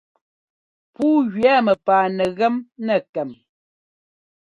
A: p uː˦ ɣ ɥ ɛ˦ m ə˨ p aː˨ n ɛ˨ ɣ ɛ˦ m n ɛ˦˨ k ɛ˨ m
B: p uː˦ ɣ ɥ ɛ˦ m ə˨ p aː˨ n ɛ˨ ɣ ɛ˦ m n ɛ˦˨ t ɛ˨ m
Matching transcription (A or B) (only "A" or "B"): A